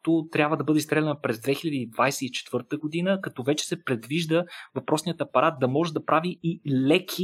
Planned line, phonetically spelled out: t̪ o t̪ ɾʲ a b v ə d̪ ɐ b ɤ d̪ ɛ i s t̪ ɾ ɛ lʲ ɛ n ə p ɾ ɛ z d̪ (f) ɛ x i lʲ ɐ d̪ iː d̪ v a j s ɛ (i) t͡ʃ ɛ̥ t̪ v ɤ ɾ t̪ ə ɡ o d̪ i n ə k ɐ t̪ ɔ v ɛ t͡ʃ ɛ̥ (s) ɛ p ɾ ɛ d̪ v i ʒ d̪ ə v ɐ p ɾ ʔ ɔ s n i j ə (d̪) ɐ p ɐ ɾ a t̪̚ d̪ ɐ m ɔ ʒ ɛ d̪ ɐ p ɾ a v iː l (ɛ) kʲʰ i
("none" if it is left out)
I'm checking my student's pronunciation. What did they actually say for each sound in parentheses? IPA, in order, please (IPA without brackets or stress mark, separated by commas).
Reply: v, i, s, t̪, ɛ